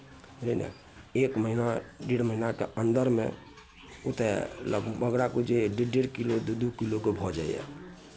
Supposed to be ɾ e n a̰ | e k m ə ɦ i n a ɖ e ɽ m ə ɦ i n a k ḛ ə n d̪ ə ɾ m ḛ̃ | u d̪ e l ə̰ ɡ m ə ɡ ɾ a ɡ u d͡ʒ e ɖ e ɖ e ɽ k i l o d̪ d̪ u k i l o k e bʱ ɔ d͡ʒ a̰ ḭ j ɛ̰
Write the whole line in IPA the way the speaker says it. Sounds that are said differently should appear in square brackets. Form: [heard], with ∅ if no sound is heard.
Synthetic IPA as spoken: ɾ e n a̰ | e k m ə ɦ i n a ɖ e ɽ m ə ɦ i n a k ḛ ə n d̪ ə ɾ m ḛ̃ | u [t̪] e l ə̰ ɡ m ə ɡ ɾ a [k] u d͡ʒ e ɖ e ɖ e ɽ k i l o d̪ d̪ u k i l o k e bʱ ɔ d͡ʒ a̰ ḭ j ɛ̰